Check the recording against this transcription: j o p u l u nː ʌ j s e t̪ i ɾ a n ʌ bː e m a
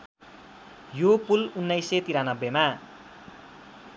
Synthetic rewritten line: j o p u l u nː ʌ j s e t̪ i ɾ a n ʌ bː e m a